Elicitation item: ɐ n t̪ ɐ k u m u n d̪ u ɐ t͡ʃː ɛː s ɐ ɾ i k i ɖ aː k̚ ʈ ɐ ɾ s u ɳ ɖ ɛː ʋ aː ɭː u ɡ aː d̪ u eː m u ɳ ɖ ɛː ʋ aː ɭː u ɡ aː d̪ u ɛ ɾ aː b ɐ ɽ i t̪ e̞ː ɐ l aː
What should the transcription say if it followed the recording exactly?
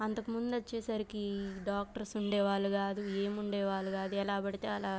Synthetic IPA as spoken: ɐ n t̪ ɐ k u m u n d̪ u ɐ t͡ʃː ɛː s ɐ ɾ i k i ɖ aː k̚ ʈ ɐ ɾ s u ɳ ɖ ɛː ʋ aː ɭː u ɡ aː d̪ u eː m u ɳ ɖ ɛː ʋ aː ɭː u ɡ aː d̪ u ɛ l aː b ɐ ɽ i t̪ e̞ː ɐ l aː

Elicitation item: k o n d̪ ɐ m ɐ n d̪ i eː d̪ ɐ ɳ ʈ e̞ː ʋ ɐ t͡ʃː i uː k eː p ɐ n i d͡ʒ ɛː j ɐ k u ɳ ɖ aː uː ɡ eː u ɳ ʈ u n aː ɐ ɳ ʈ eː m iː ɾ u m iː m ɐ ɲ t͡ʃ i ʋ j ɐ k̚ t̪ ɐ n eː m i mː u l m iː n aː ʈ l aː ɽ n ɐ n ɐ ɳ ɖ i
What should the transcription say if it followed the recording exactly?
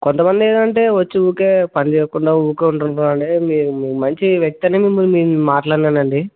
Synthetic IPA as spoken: k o n t̪ ɐ m ɐ n d̪ i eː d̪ ɐ ɳ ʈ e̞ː ʋ ɐ t͡ʃː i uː k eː p ɐ n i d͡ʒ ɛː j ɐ k u ɳ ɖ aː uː k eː u ɳ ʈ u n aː ɐ ɳ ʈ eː m iː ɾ u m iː m ɐ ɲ t͡ʃ i ʋ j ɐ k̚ t̪ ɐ n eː m i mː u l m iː m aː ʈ l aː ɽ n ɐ n ɐ ɳ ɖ i

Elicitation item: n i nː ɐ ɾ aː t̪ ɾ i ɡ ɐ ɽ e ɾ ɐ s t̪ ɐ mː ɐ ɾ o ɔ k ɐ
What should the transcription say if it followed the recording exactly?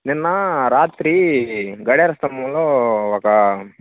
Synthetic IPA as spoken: n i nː ɐ ɾ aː t̪ ɾ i ɡ ɐ ɽ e ɾ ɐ s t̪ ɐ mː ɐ l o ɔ k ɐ

